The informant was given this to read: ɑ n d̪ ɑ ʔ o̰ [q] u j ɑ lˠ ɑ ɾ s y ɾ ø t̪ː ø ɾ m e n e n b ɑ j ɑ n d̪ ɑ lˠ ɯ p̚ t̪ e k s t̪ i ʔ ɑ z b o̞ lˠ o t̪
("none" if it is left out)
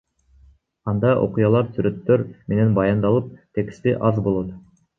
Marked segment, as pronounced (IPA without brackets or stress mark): q